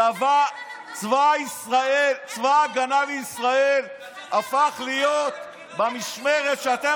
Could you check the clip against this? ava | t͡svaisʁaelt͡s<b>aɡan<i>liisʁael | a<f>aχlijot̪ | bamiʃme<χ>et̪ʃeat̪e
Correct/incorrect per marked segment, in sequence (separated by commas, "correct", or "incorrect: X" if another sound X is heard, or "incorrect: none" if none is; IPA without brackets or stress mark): incorrect: v, incorrect: a, correct, incorrect: ʁ